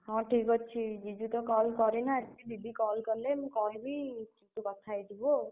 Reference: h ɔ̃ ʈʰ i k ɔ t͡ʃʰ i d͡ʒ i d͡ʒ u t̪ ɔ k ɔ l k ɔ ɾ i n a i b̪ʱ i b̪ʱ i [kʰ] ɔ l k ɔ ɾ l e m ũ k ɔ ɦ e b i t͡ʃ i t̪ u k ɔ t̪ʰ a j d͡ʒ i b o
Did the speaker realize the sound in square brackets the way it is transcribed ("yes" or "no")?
no